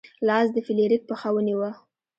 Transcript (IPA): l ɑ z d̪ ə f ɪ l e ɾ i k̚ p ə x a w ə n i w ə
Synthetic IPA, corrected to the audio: l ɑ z d̪ ə f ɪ l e ɾ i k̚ p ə x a w ə n i w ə